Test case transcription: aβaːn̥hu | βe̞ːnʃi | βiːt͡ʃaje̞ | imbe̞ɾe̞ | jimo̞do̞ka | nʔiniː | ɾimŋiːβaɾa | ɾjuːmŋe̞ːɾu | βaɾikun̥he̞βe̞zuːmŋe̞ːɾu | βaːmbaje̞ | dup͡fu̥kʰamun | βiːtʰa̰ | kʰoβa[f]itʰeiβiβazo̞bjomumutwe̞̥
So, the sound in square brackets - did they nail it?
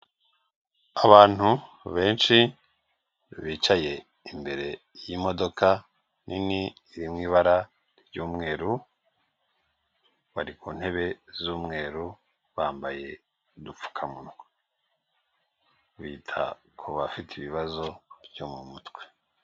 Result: yes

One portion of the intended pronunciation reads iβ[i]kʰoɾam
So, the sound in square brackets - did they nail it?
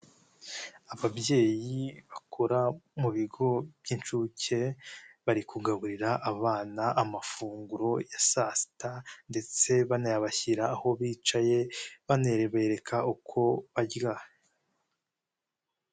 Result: no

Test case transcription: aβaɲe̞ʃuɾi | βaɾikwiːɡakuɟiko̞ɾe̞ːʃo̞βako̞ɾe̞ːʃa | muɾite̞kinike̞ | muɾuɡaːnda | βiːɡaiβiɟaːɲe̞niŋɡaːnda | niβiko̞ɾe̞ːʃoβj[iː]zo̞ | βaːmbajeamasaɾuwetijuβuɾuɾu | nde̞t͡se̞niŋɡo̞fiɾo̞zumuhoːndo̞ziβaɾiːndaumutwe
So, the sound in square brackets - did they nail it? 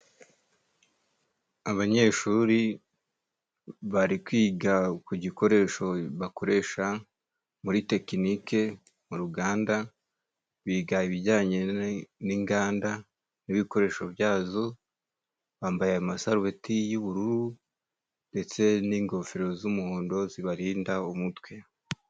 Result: no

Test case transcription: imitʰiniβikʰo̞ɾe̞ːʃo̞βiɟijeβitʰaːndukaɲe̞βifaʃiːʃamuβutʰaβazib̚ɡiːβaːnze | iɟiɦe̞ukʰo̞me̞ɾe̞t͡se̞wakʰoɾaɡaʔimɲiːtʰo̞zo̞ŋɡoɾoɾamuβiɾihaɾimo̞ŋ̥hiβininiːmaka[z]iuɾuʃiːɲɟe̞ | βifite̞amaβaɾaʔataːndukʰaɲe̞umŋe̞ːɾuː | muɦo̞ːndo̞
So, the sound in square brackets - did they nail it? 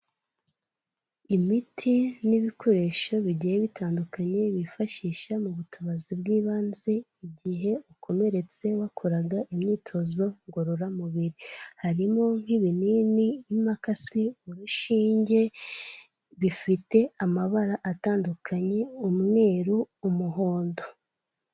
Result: no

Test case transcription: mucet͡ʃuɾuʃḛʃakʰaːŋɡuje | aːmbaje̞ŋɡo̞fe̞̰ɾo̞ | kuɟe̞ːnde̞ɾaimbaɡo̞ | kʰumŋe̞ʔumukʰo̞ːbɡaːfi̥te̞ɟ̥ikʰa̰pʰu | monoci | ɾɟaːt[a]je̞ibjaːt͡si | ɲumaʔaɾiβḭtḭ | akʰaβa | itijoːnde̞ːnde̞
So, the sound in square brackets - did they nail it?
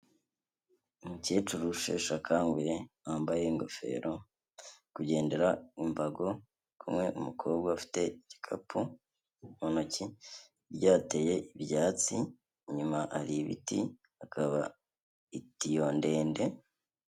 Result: no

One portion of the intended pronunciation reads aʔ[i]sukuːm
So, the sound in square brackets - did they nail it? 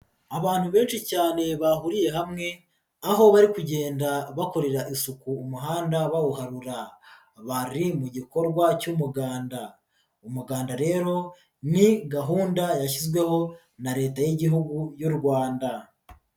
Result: yes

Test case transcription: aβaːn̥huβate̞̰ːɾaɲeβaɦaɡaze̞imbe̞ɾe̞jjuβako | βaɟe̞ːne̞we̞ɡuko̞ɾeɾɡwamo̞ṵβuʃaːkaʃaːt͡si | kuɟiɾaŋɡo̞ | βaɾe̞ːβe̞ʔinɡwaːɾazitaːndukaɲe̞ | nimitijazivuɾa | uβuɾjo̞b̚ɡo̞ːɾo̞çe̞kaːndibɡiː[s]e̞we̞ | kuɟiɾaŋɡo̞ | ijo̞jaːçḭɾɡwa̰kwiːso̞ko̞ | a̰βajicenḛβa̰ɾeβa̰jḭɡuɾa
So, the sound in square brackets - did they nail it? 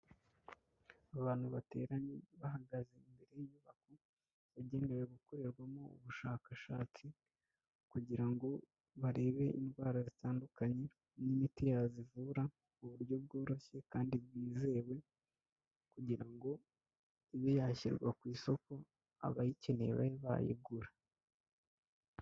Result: no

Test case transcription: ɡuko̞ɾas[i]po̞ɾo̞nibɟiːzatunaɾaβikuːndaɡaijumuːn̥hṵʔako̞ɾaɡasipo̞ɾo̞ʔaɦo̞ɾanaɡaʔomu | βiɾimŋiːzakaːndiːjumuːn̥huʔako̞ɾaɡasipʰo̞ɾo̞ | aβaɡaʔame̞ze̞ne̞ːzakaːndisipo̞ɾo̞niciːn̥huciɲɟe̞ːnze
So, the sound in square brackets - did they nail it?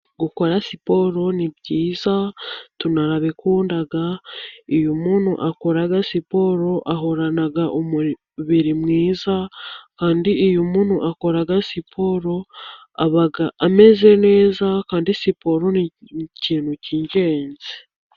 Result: yes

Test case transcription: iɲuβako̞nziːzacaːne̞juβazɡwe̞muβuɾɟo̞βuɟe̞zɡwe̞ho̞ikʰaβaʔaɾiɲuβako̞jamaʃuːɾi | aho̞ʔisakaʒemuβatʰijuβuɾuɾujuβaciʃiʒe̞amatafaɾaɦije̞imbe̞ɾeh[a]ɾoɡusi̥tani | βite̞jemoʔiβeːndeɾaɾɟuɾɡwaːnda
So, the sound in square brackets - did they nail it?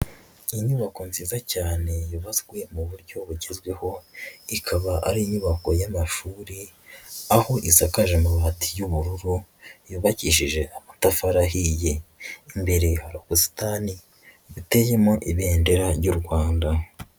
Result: yes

